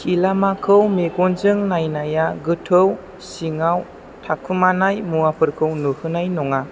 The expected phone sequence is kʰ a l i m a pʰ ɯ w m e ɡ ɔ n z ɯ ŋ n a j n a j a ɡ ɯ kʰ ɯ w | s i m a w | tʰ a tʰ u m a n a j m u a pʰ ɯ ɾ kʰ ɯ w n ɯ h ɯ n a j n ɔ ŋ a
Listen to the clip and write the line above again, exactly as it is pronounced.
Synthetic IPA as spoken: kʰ i l a m a kʰ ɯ w m e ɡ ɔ n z ɯ ŋ n a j n a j a ɡ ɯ tʰ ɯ w | s i ŋ a w | tʰ a kʰ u m a n a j m u a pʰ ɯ ɾ kʰ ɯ w n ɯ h ɯ n a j n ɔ ŋ a